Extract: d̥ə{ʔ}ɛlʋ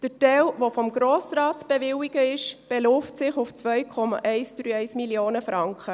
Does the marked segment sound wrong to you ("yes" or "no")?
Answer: yes